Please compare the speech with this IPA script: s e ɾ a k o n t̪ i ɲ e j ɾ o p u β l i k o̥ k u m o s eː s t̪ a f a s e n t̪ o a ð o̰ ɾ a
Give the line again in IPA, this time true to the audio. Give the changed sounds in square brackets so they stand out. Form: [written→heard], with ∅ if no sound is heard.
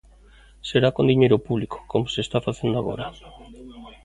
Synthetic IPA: s e ɾ a k o n [t̪→d̪] i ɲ e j ɾ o p u β l i k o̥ k [u→o] m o s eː s t̪ a f a [s→θ] e n [t̪→d̪] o a [ð→ɣ] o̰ ɾ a